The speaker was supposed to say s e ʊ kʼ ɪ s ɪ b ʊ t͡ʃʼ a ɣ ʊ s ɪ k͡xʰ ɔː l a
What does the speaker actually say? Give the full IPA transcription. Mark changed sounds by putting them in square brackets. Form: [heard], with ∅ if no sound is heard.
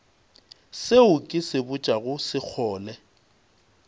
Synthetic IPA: s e ʊ kʼ ɪ s ɪ b ʊ t͡ʃʼ a ɣ ʊ s ɪ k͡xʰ ɔː l [ɛ]